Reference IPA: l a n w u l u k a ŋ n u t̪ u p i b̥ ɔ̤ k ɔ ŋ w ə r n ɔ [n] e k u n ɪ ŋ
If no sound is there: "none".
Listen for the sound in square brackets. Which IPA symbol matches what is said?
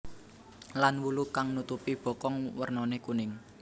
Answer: n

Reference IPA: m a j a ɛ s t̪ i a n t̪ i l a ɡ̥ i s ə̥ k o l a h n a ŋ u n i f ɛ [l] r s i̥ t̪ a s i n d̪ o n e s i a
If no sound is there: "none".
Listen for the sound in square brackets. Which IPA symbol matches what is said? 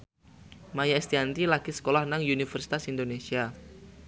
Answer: none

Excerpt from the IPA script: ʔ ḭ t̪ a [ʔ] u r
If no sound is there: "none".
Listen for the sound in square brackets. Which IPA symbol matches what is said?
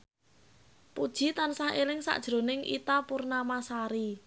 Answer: p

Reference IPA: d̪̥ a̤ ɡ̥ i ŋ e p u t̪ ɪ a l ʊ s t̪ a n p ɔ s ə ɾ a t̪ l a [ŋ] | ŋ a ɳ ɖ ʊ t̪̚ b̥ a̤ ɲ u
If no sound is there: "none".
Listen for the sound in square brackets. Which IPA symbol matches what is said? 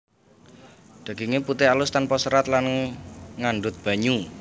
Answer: n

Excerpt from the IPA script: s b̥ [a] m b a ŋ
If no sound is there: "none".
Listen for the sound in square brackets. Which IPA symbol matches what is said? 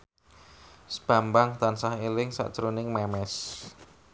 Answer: a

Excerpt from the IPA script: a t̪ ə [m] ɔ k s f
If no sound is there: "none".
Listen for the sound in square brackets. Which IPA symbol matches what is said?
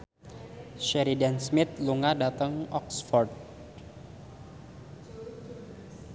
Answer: ŋ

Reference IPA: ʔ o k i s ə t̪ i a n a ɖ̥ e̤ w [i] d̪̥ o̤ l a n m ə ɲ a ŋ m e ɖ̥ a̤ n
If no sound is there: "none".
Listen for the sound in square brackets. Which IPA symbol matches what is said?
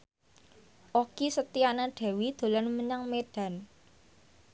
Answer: i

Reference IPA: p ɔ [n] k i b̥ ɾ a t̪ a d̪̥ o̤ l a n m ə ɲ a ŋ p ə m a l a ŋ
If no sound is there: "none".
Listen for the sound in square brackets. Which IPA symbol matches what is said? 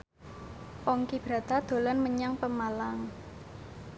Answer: ŋ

